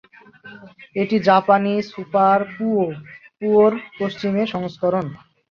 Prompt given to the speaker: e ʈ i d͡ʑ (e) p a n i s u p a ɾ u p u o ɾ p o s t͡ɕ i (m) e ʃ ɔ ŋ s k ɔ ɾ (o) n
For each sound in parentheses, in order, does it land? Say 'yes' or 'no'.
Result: no, yes, yes

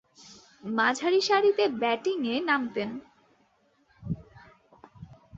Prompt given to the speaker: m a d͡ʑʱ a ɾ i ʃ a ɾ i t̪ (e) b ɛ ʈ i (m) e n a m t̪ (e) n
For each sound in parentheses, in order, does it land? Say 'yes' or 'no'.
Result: yes, no, yes

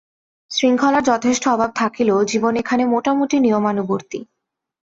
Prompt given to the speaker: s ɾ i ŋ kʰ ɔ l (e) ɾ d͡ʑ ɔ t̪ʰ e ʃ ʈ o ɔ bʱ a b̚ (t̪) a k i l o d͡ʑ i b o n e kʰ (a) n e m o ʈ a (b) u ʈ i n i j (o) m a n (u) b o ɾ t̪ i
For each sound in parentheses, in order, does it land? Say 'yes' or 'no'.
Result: no, no, yes, no, yes, yes

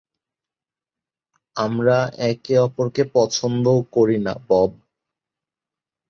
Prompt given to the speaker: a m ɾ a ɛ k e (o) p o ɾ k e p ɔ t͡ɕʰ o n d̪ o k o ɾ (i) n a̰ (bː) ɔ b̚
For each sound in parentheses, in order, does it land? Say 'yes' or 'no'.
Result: no, yes, no

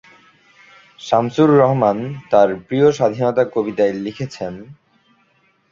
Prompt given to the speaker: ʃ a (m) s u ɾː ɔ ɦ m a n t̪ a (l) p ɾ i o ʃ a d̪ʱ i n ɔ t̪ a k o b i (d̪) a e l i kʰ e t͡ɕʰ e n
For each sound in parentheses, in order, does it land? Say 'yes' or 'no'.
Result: yes, no, no

